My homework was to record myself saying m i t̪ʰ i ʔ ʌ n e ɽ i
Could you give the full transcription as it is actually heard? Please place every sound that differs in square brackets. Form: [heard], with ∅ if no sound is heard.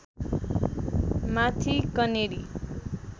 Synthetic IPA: m [a] t̪ʰ i [k] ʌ n e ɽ i